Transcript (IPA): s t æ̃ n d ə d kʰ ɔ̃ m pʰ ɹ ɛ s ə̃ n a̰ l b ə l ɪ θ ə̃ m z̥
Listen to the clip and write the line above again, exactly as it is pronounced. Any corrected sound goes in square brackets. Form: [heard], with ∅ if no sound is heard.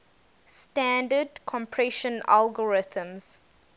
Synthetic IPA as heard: s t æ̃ n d ə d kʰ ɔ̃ m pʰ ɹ ɛ [ʃ] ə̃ n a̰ l [ɡ] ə [ɹ] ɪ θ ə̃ m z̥